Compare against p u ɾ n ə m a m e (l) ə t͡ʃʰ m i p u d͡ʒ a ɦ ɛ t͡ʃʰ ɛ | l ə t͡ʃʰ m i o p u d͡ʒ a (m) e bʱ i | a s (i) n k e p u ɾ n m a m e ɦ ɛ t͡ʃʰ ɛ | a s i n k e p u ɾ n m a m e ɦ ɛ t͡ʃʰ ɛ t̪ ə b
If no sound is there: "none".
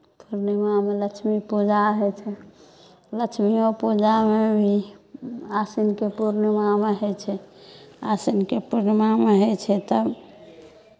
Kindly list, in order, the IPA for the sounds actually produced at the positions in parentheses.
l, m, i

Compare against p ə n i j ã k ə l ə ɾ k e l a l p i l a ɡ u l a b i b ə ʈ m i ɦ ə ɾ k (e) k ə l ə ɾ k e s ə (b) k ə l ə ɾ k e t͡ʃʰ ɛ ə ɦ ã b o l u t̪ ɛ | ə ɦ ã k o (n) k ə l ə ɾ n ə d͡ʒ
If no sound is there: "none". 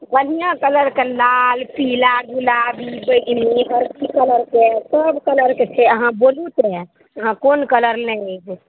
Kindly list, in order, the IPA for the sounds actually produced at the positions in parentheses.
i, b, n

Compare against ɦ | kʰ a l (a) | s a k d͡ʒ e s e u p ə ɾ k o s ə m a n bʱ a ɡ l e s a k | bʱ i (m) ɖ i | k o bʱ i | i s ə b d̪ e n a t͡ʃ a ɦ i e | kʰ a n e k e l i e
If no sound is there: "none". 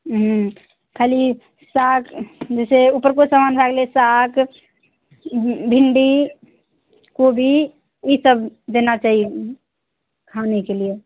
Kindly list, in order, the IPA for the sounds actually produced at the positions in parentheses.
i, ɳ

